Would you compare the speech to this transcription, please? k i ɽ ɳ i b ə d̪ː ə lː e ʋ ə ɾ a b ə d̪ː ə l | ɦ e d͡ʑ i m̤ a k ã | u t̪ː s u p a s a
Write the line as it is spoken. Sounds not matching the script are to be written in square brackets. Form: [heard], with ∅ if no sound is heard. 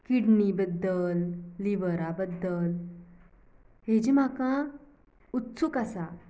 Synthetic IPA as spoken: k i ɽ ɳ i b ə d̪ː ə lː [i] ʋ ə ɾ a b ə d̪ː ə l | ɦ e d͡ʑ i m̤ a k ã | u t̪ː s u [k] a s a